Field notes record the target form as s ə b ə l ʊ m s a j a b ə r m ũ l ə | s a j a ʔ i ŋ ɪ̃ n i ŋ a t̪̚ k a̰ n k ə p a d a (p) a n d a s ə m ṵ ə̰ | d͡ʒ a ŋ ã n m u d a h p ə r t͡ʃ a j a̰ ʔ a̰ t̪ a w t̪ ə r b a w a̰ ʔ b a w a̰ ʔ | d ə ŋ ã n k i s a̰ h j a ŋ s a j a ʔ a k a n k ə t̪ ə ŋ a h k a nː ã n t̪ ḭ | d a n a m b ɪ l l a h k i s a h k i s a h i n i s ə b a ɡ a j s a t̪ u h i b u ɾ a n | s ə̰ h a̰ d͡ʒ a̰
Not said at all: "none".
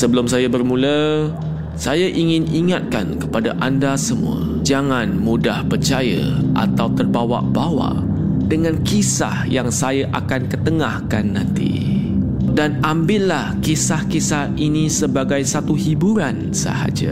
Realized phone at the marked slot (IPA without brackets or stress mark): ʔ